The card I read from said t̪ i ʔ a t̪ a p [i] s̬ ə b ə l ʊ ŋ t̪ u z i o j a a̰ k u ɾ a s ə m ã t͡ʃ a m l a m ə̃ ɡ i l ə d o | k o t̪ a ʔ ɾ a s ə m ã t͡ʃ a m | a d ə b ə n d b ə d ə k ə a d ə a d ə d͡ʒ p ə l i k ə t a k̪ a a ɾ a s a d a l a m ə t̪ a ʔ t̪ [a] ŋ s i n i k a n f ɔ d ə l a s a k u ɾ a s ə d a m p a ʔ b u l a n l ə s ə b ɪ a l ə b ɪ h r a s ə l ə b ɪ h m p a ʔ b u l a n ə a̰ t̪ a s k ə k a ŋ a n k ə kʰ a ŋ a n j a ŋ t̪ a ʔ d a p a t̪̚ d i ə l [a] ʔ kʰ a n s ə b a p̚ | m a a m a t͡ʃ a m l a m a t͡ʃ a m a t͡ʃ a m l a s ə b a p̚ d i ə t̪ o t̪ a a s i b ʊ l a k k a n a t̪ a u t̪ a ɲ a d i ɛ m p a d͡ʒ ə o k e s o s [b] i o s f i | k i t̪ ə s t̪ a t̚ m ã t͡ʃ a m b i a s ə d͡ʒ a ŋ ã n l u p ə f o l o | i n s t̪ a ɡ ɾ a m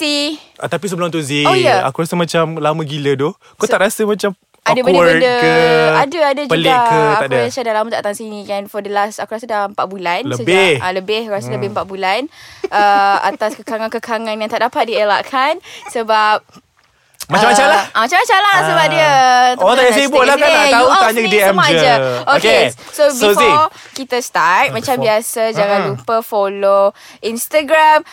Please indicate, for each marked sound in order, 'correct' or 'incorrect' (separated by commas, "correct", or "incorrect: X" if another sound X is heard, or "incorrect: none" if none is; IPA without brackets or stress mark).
correct, correct, correct, correct